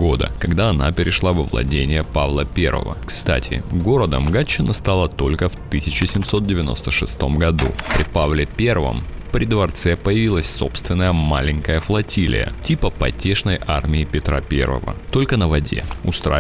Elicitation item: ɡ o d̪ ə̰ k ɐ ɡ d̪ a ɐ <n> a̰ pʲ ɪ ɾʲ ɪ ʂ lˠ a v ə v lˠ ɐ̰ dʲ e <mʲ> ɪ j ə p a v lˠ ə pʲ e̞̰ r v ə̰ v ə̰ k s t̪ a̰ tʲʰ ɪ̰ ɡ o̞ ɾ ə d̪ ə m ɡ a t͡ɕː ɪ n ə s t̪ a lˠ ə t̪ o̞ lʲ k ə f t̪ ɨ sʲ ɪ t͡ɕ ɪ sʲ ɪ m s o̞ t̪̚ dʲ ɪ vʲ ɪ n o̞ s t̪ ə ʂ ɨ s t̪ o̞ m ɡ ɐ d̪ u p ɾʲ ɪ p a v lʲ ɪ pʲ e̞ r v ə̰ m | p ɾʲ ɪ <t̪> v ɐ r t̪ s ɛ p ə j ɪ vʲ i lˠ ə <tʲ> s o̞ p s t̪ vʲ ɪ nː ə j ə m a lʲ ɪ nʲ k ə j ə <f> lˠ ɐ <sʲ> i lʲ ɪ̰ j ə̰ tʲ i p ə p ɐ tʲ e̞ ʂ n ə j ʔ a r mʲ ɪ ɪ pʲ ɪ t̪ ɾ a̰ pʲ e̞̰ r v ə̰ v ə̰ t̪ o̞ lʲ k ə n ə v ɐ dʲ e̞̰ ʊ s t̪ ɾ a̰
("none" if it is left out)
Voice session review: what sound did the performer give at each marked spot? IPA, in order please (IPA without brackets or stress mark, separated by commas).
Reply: n, nʲ, d̪, sʲ, f, tʲ